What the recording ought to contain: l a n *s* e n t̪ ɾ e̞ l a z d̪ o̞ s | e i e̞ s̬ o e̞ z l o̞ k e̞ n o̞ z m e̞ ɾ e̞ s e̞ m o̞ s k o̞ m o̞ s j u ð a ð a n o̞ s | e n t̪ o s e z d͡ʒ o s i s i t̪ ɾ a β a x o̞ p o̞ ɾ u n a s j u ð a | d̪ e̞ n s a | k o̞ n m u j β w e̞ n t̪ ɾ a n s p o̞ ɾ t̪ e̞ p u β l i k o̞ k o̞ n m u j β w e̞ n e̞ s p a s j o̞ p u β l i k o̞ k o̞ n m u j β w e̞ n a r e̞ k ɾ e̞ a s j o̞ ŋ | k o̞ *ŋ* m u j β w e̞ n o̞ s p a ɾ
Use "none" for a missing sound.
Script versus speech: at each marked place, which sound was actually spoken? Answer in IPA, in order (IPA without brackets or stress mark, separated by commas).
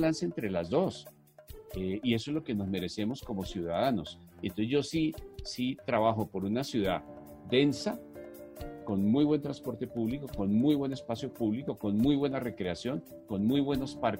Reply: s, n